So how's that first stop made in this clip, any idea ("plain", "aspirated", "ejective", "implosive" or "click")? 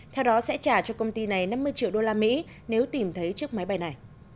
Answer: aspirated